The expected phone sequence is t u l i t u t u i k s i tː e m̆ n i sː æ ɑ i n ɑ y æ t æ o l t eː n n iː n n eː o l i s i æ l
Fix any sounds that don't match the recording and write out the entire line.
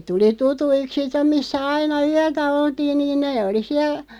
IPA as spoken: t u l i t u t u i k s i tː e m̆ m i sː æ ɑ i n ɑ y æ t æ o l t iː n n iː n n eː o l i s i æ l